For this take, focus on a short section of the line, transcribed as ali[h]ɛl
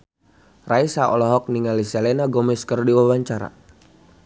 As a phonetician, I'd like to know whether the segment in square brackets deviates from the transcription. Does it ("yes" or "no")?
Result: yes